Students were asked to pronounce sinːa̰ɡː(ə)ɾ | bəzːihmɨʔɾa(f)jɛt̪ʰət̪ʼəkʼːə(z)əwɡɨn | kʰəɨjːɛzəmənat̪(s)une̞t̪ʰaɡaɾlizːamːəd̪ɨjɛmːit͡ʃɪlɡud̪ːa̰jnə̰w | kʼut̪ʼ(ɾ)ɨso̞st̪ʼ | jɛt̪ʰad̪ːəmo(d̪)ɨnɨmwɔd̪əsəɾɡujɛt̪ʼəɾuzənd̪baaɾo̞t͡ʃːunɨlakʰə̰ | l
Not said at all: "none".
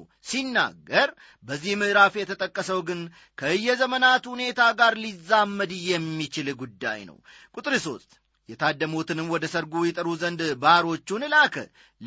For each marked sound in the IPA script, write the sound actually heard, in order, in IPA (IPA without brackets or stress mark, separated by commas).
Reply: ə, f, s, h, ɾ, t̪